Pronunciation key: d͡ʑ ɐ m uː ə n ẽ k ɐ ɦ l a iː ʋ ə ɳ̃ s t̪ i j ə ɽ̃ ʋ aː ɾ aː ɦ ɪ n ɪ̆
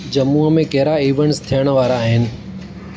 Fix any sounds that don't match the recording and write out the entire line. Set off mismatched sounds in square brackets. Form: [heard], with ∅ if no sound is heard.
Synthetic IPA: d͡ʑ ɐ m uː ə [m] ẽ k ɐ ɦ [ɾ] a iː ʋ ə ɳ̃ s [t̪ʰ] i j ə ɽ̃ ʋ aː ɾ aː ɦ ɪ n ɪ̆